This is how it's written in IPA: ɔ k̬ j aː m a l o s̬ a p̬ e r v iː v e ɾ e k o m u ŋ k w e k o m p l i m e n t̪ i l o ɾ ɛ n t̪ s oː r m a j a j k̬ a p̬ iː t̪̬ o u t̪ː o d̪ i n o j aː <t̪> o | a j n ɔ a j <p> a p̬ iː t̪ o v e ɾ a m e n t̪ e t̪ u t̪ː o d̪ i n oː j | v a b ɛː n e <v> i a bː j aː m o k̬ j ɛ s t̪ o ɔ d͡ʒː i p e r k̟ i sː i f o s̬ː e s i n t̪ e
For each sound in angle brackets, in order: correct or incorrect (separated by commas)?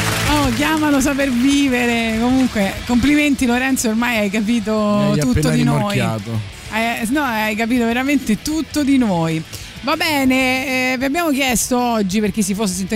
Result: correct, incorrect, correct